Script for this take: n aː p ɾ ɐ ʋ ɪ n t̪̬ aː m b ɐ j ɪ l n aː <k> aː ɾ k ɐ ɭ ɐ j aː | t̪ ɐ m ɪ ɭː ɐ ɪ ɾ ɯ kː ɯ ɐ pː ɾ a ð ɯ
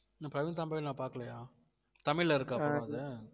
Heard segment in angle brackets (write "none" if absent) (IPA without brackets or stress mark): p